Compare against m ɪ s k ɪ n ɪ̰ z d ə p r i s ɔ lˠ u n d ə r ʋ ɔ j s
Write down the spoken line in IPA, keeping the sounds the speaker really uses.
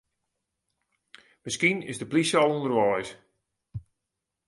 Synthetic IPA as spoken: m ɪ s k i n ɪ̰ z d ə p l i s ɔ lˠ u n d ə r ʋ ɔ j s